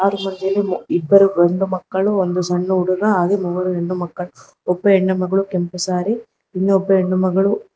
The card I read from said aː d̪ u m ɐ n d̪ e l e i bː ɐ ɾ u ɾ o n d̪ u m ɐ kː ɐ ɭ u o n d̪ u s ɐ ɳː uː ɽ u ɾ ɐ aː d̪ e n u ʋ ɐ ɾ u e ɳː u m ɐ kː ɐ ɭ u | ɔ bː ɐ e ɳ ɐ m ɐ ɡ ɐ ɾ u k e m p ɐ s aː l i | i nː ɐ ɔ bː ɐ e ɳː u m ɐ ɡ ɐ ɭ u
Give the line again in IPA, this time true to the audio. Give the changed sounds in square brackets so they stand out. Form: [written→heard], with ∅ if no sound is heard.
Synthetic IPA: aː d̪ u m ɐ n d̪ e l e i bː ɐ ɾ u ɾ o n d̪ u m ɐ kː ɐ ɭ u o n d̪ u s ɐ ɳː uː ɽ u ɾ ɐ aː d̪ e [n→m] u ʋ ɐ ɾ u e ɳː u m ɐ kː ɐ ɭ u | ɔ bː ɐ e [ɳ→ɳː] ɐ m ɐ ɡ ɐ [ɾ→ɭ] u k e m p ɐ s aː [l→ɾ] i | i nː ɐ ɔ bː ɐ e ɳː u m ɐ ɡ ɐ ɭ u